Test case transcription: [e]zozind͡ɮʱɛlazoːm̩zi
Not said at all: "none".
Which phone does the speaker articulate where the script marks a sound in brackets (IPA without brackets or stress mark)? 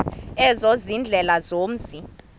ɛ